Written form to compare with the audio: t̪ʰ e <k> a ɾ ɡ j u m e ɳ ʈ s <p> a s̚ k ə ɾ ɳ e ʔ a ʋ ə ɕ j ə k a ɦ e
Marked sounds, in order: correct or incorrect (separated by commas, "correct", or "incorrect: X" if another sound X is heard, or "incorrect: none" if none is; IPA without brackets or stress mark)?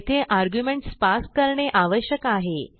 incorrect: ʔ, correct